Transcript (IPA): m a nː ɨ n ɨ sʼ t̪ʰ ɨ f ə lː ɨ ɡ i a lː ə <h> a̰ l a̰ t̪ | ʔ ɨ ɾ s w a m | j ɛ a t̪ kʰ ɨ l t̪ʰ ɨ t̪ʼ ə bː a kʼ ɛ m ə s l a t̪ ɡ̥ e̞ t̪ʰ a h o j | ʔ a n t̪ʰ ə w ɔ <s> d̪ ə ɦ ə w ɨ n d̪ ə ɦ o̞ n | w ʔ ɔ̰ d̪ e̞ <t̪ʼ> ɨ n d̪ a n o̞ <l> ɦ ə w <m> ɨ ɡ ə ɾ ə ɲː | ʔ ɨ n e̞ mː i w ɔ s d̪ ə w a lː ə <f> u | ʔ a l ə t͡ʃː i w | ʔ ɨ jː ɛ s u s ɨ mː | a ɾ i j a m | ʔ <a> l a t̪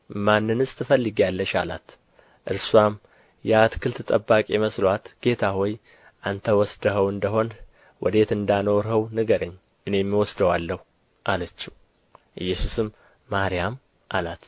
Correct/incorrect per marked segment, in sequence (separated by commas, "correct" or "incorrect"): incorrect, correct, incorrect, incorrect, incorrect, incorrect, correct